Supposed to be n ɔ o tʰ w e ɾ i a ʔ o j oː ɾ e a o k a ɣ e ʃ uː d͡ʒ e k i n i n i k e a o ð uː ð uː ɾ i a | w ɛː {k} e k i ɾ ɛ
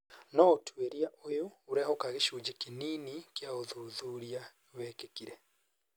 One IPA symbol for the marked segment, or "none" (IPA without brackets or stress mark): k